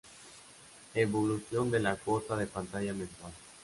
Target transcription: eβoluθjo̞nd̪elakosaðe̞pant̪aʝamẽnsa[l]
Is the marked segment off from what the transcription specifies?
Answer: no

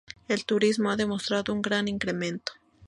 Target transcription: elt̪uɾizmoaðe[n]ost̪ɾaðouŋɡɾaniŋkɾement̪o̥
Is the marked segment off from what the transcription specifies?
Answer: yes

